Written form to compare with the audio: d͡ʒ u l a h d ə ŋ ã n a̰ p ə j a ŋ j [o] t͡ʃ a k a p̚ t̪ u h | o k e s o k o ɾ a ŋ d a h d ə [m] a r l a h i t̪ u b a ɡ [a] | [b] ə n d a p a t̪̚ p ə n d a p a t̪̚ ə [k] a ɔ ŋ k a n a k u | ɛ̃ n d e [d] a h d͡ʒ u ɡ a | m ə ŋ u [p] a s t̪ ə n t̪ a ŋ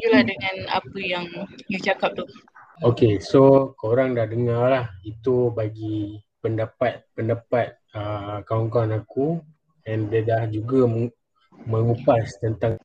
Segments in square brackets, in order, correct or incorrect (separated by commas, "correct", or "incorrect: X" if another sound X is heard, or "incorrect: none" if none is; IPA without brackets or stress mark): incorrect: u, incorrect: ŋ, incorrect: i, incorrect: p, correct, correct, correct